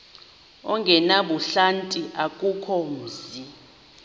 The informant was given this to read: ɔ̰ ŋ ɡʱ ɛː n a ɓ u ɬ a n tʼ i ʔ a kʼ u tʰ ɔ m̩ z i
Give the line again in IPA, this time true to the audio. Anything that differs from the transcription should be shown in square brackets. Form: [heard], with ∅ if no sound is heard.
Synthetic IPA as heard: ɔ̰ ŋ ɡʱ [ɛ] n a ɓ u ɬ a n tʼ i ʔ a kʼ u [kʰ] ɔ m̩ z i